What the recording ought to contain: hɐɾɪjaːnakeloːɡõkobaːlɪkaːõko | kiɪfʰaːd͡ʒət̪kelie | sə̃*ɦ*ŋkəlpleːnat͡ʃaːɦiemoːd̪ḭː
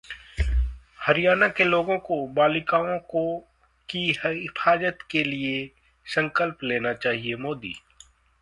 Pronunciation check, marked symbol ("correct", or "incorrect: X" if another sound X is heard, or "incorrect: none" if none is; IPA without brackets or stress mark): incorrect: none